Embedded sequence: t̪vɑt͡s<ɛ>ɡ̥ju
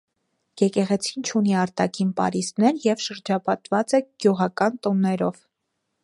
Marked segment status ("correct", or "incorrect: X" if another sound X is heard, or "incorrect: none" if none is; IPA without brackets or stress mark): correct